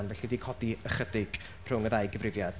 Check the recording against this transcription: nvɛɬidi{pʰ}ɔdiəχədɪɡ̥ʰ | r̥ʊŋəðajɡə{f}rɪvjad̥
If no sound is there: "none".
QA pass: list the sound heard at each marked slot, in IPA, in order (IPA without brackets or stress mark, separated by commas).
kʰ, v